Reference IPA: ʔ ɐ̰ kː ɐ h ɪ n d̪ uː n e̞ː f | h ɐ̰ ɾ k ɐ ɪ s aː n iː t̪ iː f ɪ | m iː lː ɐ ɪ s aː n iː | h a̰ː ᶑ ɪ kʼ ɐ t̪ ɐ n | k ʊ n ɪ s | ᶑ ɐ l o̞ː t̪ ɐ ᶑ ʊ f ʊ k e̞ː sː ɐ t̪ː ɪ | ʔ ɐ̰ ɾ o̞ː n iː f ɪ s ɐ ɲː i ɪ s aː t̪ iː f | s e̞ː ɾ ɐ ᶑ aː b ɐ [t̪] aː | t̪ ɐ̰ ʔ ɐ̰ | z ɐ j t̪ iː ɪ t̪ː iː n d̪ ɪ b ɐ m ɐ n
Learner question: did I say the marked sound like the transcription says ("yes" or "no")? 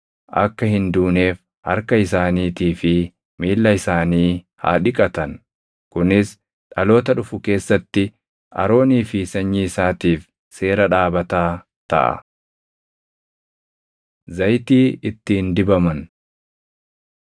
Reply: yes